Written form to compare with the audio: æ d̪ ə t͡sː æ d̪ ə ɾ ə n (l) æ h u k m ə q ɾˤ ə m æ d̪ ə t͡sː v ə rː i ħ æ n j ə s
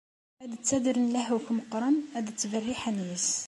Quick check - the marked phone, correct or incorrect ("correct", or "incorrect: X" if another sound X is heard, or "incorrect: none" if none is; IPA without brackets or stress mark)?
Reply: correct